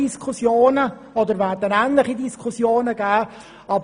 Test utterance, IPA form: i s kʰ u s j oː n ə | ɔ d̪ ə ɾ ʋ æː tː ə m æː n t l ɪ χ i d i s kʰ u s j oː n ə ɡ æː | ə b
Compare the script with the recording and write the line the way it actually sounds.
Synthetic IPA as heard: i s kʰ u s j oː n ə | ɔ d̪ ə ɾ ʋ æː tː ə n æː n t l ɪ χ i d i s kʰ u s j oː n ə ɡ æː | ɑ b